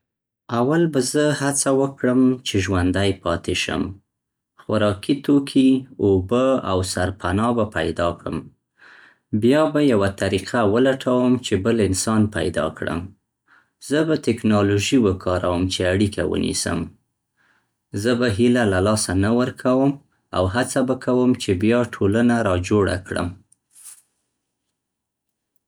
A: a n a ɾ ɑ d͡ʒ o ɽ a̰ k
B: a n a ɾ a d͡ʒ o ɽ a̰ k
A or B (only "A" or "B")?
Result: A